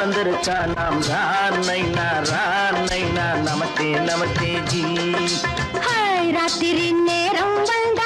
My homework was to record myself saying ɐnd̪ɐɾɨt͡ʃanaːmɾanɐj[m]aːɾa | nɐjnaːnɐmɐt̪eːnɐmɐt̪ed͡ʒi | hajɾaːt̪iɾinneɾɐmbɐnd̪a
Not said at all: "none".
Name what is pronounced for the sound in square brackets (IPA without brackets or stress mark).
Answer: n